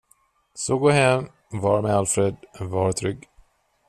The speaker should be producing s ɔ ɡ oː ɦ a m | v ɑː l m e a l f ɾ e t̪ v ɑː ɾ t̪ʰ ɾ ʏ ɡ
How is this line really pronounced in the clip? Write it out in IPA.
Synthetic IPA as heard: s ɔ ɡ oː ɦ ɛ m | v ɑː ɾ m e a l f ɾ e d̪ v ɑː ɾ t̪ʰ ɾ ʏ ɡ